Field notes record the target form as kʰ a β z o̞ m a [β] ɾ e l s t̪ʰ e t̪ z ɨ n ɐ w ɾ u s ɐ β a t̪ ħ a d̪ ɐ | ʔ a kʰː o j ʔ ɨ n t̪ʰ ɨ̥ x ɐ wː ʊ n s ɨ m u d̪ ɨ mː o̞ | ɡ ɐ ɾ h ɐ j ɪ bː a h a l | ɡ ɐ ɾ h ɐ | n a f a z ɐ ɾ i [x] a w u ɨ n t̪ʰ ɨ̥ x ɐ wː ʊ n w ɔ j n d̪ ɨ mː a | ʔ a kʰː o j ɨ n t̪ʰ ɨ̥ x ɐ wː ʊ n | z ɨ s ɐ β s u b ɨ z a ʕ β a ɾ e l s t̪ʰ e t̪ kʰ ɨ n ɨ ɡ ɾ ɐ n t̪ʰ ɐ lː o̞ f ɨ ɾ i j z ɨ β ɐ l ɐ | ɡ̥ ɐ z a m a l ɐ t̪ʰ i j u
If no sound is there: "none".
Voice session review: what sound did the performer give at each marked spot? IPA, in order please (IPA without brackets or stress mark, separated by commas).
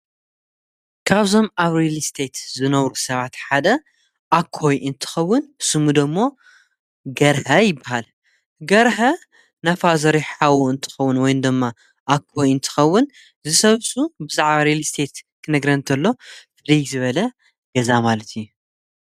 β, ħ